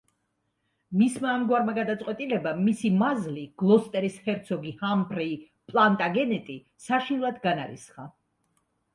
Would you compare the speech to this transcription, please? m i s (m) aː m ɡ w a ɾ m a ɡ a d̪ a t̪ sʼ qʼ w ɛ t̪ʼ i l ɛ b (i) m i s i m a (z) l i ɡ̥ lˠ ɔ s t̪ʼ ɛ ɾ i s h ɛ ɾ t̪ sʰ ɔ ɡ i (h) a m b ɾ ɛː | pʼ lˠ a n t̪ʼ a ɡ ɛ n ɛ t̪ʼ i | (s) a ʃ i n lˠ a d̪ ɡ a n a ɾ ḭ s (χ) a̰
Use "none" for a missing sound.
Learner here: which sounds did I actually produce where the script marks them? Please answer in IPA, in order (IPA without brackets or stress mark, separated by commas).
m, a, z, h, s, χ